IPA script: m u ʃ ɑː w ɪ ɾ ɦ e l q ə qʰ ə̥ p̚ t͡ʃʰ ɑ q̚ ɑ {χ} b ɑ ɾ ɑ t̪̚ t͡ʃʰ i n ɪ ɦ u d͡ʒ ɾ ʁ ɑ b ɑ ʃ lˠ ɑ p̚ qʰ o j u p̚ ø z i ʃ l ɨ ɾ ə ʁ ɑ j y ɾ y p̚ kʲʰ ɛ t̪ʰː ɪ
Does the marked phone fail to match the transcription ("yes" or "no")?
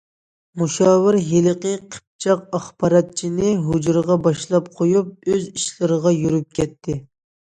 no